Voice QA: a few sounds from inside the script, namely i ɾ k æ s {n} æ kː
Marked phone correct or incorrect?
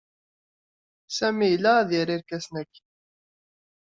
correct